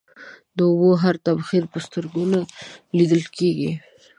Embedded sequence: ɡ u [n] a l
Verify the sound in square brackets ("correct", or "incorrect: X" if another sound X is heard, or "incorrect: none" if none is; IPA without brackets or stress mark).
correct